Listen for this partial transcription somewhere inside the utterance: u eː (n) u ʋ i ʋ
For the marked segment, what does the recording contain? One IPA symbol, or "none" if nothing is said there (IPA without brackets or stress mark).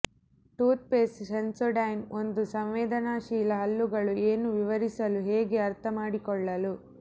n